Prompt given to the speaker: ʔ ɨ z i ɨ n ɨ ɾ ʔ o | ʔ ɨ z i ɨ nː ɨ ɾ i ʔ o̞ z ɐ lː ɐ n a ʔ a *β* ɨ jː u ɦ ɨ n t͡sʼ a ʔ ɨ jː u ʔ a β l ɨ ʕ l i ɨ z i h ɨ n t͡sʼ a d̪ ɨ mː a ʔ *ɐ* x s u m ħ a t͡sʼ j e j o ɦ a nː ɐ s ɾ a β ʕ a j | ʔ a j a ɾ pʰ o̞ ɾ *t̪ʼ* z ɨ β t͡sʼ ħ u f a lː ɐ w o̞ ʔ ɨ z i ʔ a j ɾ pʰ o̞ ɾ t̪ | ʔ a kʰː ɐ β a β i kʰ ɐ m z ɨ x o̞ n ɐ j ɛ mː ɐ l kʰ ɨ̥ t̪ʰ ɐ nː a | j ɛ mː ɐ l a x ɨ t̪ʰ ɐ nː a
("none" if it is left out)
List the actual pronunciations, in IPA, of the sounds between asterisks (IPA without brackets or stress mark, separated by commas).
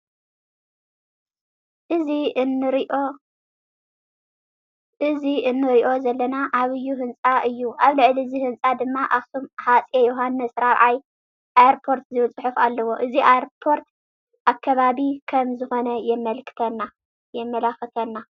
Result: β, a, t̪